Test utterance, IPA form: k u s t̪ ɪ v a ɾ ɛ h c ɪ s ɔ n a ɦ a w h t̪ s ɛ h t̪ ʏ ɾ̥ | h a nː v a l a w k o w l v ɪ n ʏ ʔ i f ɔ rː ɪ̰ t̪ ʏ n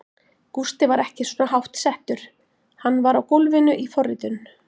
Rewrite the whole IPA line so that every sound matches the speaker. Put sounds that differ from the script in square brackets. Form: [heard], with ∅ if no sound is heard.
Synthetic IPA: k u s t̪ ɪ v a ɾ ɛ h c ɪ s ɔ n a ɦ a w h t̪ s ɛ h t̪ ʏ ɾ̥ | h a nː v a [ɾ] a w k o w l v ɪ n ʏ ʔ i f ɔ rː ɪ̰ t̪ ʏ n